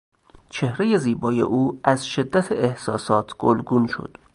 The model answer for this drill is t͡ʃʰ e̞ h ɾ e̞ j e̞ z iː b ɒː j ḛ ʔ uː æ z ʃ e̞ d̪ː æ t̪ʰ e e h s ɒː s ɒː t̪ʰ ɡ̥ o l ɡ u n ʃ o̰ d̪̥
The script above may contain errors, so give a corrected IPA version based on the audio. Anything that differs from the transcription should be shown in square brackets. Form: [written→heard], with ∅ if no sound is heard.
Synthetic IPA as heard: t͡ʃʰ e̞ h ɾ e̞ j e̞ z iː b ɒː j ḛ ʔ uː æ z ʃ e̞ d̪ː æ t̪ʰ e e h s ɒː s ɒː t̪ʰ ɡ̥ o l ɡ u n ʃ o̰ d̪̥